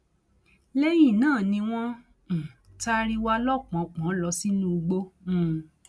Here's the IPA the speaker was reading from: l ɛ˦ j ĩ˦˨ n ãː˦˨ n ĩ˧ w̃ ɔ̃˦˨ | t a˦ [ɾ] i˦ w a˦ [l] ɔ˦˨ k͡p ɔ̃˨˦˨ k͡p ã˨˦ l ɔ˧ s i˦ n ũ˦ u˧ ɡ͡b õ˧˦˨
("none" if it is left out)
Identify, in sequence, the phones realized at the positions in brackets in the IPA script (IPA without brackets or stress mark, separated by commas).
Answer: ɾ, l